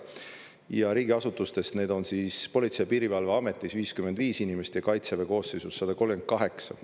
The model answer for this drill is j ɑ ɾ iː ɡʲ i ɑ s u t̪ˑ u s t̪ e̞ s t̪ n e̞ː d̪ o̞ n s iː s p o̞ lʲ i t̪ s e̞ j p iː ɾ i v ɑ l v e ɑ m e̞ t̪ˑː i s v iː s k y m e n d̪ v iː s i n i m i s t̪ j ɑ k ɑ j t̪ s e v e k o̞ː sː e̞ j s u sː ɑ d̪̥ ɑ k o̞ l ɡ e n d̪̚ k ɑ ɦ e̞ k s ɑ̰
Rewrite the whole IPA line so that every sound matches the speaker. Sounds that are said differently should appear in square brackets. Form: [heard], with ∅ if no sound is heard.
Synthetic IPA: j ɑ ɾ iː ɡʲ i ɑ s u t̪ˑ u s t̪ e̞ s t̪ n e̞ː d̪ o̞ n s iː s p o̞ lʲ i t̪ s e̞ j p iː ɾ i v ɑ l v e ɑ m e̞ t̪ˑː i s v iː s k y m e n d̪ v iː s i n i m [e] s t̪ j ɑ k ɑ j t̪ s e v e k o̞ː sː e̞ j s u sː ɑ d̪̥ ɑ k o̞ l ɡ e n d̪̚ k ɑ ɦ e̞ k s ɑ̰